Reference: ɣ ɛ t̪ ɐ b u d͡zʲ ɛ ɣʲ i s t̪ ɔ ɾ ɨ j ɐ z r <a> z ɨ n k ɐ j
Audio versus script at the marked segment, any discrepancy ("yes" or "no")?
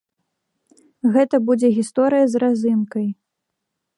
no